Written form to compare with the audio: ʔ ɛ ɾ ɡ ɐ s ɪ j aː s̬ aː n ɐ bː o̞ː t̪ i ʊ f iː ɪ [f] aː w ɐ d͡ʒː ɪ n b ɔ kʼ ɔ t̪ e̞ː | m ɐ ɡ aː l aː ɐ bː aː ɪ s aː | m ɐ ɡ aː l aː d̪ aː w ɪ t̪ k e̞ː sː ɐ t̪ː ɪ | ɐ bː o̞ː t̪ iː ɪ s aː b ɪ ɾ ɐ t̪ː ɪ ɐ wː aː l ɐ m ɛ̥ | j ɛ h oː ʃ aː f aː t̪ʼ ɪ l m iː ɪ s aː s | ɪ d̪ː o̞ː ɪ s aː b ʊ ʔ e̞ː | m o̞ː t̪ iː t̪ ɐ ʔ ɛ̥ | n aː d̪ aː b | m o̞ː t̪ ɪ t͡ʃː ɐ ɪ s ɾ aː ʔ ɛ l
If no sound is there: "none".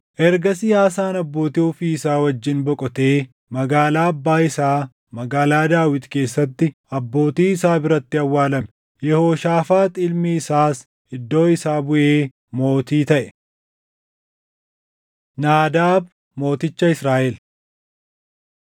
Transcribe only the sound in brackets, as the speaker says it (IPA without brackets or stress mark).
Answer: s